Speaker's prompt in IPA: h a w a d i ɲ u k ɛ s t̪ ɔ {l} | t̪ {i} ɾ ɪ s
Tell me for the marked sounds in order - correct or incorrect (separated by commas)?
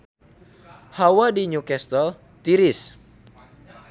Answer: correct, correct